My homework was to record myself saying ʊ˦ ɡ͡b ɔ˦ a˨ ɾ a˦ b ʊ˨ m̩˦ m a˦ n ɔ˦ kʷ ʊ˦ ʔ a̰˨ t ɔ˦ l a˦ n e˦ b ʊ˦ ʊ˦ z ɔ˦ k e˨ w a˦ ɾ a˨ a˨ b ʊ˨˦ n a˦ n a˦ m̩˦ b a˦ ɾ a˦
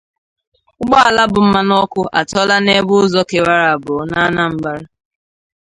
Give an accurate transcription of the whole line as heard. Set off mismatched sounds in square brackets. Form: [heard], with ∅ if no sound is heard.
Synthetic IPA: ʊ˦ ɡ͡b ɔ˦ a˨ [l] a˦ b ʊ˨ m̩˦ m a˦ n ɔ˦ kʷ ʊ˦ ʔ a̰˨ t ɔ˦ l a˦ n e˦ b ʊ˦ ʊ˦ z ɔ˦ k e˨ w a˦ ɾ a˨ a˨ b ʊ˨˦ n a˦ n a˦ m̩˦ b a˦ ɾ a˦

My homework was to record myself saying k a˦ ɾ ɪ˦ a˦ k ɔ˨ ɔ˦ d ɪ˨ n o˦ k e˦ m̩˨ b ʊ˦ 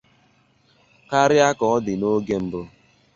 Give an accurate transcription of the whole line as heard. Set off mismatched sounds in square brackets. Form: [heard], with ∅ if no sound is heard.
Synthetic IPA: k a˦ ɾ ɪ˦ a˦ k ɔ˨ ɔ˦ d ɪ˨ n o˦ [ɡ] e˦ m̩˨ b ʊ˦

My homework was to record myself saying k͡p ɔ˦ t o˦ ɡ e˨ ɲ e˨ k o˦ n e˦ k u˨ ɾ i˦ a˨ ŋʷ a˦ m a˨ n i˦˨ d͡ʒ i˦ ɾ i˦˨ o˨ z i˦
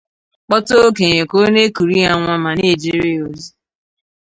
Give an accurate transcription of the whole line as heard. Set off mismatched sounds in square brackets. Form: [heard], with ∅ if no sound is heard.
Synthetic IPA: k͡p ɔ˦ t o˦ [k] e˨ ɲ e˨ k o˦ n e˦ k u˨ ɾ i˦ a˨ ŋʷ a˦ m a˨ n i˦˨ d͡ʒ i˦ ɾ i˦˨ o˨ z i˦

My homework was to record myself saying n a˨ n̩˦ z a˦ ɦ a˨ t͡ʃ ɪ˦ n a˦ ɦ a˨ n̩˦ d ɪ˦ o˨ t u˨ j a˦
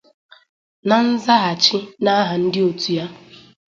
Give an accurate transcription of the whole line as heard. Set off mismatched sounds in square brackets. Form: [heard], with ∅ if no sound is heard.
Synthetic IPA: n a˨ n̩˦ z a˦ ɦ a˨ t͡ʃ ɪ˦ n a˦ ɦ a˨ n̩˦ d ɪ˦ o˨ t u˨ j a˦

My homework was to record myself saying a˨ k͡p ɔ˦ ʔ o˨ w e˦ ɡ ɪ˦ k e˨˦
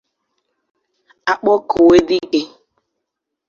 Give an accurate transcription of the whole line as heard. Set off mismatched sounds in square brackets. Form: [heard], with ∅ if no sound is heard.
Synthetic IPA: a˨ k͡p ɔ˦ [k] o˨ w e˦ [d] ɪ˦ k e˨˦

